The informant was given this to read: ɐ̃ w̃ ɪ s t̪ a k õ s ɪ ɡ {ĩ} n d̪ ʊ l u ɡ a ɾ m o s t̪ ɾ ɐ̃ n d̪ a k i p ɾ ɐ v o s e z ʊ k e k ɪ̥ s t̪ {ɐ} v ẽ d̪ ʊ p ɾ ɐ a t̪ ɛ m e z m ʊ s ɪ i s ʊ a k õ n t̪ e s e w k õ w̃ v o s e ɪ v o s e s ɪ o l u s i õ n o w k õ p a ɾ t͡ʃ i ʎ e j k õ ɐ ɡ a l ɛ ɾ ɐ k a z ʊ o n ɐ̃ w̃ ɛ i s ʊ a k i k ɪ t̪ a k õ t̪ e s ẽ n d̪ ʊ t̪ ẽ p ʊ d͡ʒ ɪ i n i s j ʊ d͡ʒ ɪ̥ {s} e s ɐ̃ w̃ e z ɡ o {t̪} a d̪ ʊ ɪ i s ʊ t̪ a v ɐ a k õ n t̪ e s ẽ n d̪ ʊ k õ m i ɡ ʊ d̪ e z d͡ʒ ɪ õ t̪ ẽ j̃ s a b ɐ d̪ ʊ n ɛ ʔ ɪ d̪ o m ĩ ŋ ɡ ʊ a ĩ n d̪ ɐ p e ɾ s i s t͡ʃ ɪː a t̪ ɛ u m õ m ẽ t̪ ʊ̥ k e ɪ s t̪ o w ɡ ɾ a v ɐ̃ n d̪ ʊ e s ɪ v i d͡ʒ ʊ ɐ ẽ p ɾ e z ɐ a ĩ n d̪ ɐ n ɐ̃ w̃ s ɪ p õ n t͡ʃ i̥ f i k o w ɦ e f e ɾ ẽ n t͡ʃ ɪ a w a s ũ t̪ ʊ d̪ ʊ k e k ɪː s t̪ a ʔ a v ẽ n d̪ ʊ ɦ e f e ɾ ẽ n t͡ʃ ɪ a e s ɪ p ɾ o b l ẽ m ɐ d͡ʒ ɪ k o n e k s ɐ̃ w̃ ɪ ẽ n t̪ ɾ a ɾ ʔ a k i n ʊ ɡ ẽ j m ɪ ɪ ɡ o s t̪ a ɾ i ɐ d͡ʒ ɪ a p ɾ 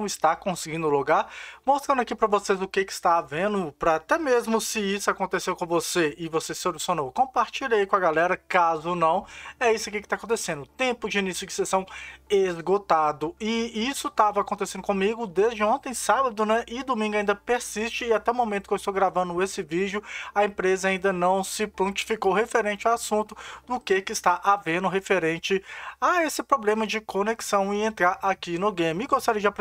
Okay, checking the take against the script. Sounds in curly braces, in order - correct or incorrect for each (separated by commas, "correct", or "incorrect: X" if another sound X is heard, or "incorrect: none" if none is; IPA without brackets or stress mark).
correct, incorrect: a, correct, correct